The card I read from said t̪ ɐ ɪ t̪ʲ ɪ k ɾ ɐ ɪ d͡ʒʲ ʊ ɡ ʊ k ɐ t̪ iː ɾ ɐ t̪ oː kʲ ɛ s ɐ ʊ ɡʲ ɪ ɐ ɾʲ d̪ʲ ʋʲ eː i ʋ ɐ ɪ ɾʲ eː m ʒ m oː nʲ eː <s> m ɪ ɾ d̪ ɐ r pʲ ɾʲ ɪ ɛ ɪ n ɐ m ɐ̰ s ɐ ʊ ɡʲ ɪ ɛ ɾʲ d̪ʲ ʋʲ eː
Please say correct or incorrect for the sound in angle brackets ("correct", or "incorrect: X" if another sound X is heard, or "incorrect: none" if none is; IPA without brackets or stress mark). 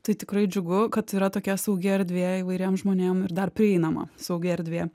incorrect: none